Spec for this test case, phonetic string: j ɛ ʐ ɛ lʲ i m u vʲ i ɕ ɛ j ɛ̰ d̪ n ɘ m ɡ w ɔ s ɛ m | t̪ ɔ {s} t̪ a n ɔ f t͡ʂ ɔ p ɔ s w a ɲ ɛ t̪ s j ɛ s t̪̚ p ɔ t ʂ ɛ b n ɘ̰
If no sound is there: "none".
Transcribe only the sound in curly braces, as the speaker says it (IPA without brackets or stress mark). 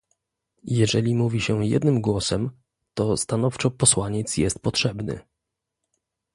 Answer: s